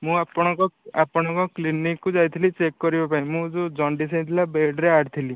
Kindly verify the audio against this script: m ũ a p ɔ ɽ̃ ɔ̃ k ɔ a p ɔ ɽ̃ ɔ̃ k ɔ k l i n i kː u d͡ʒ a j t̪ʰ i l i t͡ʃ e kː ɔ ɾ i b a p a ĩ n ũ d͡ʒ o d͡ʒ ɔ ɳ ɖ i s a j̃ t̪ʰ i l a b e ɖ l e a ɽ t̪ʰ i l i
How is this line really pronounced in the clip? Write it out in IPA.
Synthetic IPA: m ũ a p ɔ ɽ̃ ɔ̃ k ɔ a p ɔ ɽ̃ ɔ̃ k ɔ k l i n i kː u d͡ʒ a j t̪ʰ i l i t͡ʃ e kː ɔ ɾ i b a p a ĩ m ũ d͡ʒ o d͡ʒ ɔ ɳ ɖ i s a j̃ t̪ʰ i l a b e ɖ ɾ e a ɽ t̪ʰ i l i